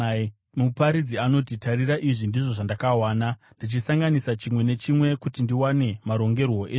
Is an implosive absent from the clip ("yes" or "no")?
yes